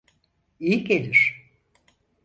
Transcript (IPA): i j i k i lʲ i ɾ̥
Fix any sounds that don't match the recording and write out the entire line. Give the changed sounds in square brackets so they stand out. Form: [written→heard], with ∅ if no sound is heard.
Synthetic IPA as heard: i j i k [i→e] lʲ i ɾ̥

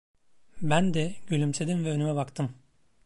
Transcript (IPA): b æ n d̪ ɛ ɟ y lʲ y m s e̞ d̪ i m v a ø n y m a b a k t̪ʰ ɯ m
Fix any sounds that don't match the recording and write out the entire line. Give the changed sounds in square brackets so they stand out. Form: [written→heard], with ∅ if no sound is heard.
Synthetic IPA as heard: b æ n d̪ ɛ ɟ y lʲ y m s e̞ d̪ i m v [a→ɛ] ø n y m [a→ɛ] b a k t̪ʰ ɯ m

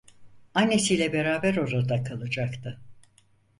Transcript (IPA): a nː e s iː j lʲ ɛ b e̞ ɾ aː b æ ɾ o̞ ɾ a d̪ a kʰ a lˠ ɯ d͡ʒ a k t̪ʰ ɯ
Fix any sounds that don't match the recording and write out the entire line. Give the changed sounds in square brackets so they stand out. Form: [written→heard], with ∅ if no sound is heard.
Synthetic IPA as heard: a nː e s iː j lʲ ɛ b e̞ ɾ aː b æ ɾ o̞ ɾ a d̪ a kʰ a lˠ ɯ d͡ʒ a k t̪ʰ ɯ

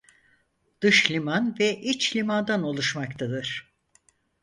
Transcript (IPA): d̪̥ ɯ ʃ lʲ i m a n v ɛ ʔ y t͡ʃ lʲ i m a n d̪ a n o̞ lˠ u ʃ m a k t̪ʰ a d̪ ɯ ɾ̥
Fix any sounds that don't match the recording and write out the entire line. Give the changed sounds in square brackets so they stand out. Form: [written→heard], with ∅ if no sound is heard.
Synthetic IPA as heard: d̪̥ ɯ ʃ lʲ i m a n v ɛ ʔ [y→i] t͡ʃ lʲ i m a n d̪ a n o̞ lˠ u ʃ m a k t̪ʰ a d̪ ɯ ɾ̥

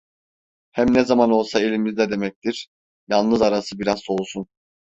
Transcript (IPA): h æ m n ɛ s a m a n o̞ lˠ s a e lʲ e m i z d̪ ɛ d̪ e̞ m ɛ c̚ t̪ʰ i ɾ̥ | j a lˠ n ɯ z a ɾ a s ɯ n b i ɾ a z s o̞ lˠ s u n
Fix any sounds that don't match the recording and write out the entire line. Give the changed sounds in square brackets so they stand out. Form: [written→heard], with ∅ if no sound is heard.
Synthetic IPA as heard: h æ m n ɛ [s→z] a m a n o̞ lˠ s a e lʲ [e→i] m i z d̪ ɛ d̪ e̞ m ɛ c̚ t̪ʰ i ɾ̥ | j a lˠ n ɯ z a ɾ a s ɯ [n→∅] b i ɾ a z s o̞ lˠ s u n

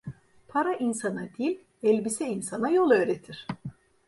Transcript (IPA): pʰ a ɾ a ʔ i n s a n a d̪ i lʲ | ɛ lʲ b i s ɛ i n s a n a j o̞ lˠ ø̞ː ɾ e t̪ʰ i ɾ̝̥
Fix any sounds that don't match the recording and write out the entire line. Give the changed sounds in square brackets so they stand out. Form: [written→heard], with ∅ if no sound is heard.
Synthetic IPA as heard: pʰ a ɾ a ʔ i n s a n a d̪ i lʲ | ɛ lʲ b i s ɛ i n s a n a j o̞ lˠ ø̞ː ɾ e t̪ʰ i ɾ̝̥

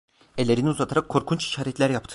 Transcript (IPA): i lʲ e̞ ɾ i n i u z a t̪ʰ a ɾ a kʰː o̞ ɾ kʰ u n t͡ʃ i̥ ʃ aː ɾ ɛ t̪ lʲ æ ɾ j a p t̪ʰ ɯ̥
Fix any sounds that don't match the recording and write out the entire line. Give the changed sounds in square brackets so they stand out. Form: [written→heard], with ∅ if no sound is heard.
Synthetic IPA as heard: [i→e] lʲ e̞ ɾ i n i u z a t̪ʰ a ɾ a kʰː o̞ ɾ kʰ u n t͡ʃ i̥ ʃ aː ɾ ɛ t̪ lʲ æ ɾ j a p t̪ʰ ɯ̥

